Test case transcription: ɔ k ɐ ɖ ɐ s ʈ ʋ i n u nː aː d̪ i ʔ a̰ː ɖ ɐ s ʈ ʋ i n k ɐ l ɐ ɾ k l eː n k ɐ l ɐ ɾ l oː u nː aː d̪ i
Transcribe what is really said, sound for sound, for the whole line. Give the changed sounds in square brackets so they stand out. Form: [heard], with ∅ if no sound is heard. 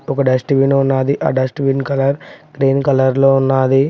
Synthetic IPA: ɔ k ɐ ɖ ɐ s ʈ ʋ i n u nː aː d̪ i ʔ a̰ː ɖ ɐ s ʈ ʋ i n k ɐ l ɐ ɾ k [ɾ] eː n k ɐ l ɐ ɾ l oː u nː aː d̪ i